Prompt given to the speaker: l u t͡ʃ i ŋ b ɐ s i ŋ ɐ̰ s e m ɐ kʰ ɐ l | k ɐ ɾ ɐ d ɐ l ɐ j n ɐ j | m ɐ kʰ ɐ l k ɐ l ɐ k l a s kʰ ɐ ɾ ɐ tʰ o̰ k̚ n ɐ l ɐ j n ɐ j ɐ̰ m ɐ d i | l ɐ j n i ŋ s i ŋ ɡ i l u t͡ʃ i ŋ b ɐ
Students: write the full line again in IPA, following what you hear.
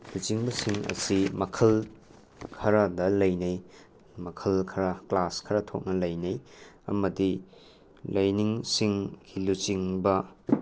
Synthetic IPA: l u t͡ʃ i ŋ b ɐ s i ŋ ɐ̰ s i m ɐ kʰ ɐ l | kʰ ɐ ɾ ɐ d ɐ l ɐ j n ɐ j | m ɐ kʰ ɐ l kʰ ɐ ɾ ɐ k l a s kʰ ɐ ɾ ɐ tʰ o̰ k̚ n ɐ l ɐ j n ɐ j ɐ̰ m ɐ d i | l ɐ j n i ŋ s i ŋ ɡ i l u t͡ʃ i ŋ b ɐ

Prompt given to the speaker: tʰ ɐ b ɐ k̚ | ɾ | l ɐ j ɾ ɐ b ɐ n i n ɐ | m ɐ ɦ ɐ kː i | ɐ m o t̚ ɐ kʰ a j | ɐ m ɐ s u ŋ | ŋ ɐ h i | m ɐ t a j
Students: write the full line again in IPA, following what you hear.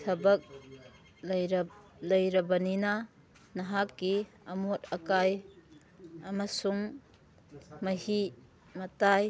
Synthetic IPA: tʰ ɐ b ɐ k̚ | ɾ | l ɐ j ɾ ɐ b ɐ n i n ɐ | n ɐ ɦ a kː i | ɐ m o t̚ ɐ k a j | ɐ m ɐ s u ŋ | m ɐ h i | m ɐ t a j

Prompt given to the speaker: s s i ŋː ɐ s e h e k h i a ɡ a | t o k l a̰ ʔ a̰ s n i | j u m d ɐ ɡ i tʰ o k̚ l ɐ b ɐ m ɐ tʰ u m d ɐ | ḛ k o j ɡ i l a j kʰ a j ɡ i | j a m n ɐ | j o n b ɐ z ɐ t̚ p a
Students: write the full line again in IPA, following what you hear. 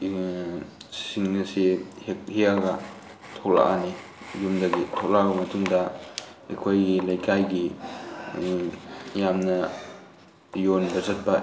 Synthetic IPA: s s i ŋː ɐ s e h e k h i a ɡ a | tʰ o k l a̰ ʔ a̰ n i | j u m d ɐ ɡ i tʰ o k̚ l a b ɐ m ɐ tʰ u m d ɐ | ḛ kʰ o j ɡ i l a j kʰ a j ɡ i | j a m n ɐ | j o n b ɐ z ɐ t̚ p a

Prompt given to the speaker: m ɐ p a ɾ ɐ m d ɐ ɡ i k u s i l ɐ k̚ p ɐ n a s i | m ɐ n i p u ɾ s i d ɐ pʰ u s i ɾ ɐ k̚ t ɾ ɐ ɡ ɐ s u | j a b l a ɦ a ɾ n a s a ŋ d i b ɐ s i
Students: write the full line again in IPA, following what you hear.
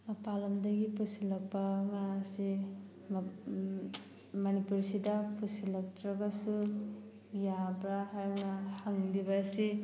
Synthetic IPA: m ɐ p a l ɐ m d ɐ ɡ i p u s i l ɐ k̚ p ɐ ŋ a s i | m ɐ n i p u ɾ s i d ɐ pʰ u s i l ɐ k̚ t ɾ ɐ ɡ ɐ s u | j a b ɾ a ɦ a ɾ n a h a ŋ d i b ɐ s i

